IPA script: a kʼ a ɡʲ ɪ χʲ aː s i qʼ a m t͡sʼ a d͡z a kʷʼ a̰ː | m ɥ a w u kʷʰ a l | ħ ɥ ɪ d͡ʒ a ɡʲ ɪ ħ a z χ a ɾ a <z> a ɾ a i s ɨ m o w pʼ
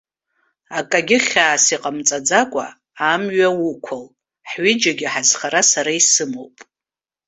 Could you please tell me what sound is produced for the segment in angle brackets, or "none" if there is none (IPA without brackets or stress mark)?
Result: s